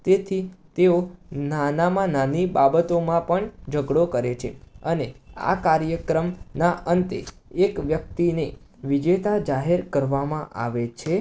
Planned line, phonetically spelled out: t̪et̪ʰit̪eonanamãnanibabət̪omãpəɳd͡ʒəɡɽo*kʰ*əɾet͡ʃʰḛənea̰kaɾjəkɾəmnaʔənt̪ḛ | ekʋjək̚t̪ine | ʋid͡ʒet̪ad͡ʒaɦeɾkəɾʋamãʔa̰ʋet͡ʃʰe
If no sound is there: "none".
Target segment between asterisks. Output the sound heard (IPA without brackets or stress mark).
k